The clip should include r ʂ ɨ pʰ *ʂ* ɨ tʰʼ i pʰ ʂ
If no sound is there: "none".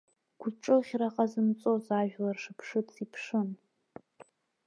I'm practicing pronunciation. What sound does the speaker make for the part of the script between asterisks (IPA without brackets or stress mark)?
ʂ